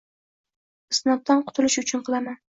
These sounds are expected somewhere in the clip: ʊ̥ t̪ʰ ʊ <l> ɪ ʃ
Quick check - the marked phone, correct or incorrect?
correct